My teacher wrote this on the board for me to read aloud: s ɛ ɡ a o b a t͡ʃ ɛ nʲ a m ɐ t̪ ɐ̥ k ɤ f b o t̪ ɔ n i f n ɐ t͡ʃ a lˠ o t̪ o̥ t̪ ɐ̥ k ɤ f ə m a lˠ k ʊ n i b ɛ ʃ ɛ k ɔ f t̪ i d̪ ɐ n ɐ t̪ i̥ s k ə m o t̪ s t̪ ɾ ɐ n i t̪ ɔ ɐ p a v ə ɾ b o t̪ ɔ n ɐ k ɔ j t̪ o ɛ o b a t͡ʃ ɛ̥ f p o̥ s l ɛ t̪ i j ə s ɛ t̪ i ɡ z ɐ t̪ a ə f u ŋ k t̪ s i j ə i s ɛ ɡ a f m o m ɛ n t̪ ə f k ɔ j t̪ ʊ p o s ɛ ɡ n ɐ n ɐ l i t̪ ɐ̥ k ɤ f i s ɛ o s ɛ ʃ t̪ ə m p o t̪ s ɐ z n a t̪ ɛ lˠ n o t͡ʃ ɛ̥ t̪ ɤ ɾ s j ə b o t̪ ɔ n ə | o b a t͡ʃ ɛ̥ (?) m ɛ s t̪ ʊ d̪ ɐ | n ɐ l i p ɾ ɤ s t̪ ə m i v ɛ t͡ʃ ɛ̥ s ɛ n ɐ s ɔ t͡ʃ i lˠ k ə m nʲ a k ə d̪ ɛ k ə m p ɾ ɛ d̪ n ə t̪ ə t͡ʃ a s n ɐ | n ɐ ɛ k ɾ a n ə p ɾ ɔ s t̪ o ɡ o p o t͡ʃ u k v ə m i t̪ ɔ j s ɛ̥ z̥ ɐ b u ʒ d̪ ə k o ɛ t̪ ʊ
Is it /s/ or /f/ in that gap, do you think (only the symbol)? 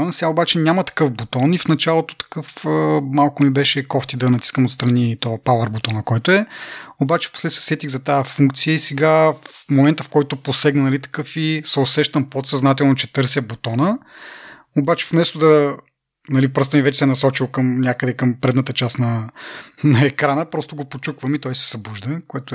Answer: f